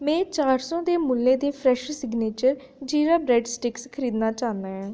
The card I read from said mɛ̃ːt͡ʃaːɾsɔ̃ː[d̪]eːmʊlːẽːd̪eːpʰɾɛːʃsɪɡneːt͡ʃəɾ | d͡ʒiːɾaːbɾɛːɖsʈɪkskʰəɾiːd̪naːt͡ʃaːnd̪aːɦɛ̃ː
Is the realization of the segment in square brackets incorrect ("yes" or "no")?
no